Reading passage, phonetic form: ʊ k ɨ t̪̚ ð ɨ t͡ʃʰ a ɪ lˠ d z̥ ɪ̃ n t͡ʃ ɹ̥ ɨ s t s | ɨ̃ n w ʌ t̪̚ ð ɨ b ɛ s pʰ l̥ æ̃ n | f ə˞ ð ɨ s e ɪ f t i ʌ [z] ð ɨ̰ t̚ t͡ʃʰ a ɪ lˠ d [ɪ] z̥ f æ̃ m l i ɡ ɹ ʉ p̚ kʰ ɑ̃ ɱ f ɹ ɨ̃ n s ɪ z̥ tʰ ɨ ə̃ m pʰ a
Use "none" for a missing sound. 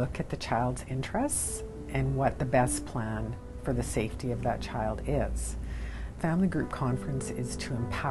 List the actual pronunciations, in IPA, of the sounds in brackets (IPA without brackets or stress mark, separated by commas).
v, ɪ